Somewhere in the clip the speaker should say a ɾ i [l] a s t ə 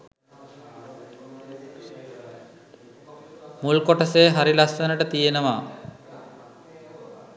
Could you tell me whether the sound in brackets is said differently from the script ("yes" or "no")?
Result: no